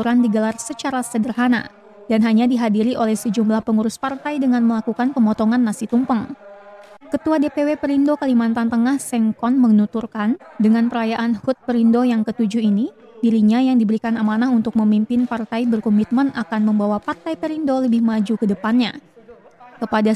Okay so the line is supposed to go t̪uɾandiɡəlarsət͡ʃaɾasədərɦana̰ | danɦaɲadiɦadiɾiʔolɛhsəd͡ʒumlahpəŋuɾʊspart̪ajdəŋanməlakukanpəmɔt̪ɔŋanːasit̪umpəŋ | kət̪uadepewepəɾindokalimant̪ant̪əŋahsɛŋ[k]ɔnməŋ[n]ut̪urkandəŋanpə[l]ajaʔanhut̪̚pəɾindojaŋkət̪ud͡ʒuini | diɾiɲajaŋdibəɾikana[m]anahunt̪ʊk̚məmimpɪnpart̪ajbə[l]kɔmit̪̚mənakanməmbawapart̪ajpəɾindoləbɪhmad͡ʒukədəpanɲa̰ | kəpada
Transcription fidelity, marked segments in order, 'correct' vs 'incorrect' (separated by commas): correct, correct, incorrect, correct, incorrect